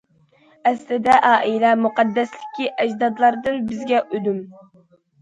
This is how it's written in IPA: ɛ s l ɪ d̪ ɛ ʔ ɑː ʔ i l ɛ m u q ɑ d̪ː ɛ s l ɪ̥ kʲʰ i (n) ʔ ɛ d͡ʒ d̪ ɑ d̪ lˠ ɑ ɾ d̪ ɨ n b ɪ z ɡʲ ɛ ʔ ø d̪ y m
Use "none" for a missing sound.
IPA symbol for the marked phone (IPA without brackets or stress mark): none